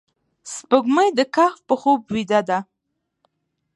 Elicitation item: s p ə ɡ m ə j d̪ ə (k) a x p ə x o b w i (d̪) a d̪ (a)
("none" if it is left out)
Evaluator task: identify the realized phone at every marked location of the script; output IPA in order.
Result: k, d̪, a

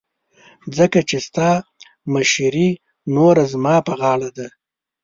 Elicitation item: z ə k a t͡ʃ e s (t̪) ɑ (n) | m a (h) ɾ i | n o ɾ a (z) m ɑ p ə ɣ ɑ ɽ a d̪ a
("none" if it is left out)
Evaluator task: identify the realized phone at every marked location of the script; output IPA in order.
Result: t̪, none, ʃ, z

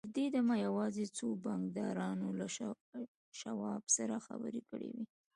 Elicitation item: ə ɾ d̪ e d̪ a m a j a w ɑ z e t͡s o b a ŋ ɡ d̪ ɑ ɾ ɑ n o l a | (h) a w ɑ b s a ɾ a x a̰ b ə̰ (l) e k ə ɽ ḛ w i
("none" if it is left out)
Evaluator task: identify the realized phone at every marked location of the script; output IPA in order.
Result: ʃ, ɾ

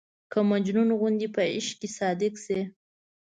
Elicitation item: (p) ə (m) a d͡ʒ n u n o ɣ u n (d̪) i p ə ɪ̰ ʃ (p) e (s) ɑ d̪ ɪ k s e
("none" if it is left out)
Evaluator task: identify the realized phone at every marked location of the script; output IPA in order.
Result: k, m, d̪, k, s

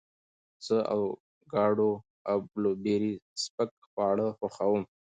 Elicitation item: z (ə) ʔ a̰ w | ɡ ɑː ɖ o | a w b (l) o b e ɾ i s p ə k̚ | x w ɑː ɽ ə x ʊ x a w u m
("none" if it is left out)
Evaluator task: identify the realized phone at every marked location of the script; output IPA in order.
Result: ə, l

